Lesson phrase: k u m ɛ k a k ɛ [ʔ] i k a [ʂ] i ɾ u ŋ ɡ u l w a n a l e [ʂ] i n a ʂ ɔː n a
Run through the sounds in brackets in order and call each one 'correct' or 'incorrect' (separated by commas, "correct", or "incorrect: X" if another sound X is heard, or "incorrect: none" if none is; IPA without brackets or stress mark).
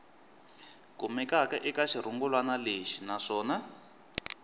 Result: correct, incorrect: ʃ, incorrect: ʃ